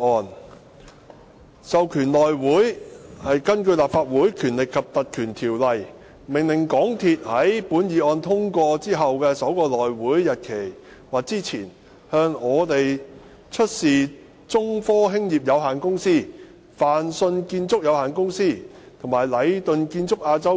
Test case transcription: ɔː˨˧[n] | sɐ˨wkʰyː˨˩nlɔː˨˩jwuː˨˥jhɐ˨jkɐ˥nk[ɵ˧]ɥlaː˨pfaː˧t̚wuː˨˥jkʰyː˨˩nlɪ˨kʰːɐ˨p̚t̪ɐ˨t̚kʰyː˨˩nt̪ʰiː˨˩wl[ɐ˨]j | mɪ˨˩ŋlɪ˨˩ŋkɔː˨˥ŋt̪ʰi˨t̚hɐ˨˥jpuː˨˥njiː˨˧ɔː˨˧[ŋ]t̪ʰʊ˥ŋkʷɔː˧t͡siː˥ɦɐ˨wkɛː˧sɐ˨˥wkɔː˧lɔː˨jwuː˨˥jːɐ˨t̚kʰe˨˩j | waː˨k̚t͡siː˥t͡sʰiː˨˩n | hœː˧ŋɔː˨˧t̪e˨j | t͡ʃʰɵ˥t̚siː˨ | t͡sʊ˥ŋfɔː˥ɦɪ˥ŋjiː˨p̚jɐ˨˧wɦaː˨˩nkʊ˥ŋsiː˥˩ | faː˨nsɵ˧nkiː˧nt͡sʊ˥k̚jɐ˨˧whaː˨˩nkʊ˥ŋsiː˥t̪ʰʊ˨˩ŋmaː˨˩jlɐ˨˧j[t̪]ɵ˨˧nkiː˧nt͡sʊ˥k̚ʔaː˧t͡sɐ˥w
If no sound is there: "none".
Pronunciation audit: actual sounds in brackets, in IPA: n, ɵ˧, ɐ˨, n, t̪

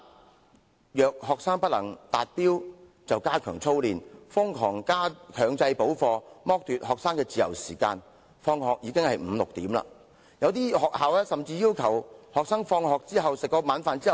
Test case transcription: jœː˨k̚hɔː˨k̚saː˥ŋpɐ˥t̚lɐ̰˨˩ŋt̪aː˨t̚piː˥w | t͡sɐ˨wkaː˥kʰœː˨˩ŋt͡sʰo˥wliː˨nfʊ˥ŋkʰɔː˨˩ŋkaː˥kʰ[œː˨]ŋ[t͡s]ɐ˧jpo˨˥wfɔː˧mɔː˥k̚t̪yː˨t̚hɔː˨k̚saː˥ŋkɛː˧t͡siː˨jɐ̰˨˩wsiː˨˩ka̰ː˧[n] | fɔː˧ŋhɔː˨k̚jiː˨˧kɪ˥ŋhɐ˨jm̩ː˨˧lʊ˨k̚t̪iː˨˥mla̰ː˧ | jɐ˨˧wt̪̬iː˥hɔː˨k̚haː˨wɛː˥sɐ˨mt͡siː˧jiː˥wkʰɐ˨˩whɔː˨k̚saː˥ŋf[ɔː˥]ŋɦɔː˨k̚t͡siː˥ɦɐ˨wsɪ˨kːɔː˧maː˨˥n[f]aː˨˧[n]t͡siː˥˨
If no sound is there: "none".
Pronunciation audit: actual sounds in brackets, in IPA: œː˨, t͡s, n, ɔː˧, f, n

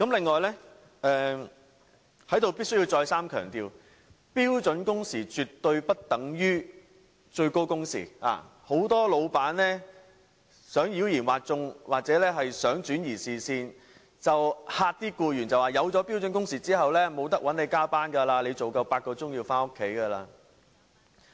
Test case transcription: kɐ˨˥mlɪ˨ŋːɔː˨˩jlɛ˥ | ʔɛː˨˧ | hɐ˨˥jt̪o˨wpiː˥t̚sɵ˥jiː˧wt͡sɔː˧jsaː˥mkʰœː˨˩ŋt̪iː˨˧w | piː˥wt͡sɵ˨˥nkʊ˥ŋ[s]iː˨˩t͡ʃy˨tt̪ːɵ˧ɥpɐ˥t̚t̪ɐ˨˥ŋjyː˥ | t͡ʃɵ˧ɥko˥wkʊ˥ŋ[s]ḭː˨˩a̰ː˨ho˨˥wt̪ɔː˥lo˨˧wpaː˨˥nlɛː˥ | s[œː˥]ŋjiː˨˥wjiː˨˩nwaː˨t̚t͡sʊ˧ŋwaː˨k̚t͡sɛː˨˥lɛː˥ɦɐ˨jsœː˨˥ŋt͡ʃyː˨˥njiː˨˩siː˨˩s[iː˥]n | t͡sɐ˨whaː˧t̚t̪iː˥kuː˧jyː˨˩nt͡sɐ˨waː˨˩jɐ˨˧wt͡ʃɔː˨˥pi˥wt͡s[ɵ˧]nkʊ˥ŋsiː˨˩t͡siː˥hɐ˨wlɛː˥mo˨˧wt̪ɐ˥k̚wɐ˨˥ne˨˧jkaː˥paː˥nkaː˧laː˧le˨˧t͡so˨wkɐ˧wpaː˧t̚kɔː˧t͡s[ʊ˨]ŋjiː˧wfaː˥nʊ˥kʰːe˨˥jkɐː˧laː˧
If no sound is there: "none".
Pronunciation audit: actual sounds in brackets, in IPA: s, s, œː˨˥, iː˧, ɵ˨˥, ʊ˥

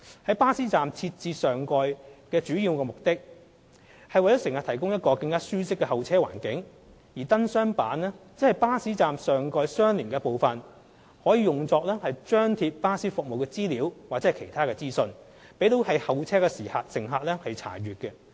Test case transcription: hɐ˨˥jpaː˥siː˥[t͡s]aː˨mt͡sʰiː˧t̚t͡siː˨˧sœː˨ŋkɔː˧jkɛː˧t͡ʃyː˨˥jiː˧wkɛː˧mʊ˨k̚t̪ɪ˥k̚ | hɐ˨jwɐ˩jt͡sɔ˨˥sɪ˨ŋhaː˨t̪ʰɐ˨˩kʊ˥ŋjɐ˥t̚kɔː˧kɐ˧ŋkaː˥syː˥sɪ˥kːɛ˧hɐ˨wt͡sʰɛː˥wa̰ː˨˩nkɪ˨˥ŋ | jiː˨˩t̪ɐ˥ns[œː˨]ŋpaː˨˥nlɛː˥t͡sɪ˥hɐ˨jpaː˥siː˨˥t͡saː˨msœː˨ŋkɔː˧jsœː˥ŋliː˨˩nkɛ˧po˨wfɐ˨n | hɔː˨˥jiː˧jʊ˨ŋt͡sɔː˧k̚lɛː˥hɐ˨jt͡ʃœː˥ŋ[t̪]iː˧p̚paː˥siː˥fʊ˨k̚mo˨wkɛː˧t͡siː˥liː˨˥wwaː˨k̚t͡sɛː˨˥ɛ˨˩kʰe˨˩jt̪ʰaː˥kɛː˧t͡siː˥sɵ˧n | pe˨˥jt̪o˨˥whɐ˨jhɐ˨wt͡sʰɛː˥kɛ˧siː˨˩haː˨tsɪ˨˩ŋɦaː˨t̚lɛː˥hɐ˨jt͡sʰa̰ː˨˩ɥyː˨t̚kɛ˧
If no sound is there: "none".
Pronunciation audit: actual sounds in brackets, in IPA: t͡s, œː˥, t̪ʰ

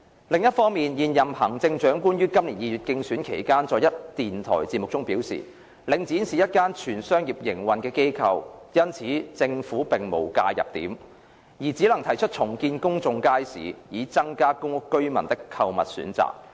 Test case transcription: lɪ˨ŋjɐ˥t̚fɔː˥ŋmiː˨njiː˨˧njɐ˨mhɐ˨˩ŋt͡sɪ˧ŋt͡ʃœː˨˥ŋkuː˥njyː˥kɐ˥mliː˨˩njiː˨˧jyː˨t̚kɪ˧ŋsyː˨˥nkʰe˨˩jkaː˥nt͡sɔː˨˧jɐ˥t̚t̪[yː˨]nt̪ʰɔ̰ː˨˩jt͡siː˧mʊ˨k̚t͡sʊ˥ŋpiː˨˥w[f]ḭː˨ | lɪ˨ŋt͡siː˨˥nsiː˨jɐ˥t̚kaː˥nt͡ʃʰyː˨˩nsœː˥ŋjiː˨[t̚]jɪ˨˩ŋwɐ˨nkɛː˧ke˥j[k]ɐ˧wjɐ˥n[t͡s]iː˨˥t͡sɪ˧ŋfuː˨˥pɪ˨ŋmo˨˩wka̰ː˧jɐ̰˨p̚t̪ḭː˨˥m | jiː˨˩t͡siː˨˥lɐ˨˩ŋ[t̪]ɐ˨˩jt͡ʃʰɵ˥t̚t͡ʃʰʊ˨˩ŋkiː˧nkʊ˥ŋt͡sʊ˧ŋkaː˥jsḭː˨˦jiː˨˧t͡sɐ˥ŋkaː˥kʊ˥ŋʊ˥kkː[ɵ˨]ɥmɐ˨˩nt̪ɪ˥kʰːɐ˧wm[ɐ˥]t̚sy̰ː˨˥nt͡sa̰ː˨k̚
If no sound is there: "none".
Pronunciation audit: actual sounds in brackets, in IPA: iː˨, s, p̚, kʰ, t͡sʰ, t̪ʰ, ɵ˥, ɐ˨

